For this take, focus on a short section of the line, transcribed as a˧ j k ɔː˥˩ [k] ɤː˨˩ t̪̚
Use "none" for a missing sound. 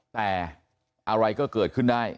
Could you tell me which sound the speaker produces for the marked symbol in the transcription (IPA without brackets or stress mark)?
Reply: k